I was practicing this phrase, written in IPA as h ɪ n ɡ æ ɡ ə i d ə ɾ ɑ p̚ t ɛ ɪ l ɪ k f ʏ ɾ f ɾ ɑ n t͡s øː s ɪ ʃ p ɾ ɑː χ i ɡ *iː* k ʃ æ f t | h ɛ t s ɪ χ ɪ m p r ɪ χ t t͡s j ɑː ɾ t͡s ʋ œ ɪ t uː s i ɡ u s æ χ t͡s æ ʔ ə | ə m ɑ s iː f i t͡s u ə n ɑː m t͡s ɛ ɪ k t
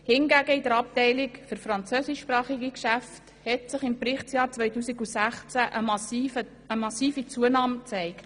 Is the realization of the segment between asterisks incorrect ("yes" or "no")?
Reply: yes